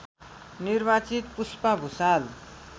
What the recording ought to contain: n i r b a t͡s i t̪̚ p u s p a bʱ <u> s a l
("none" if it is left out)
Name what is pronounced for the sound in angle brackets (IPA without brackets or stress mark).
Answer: u